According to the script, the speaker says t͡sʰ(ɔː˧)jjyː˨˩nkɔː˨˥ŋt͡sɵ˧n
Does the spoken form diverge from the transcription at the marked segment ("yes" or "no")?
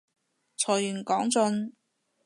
yes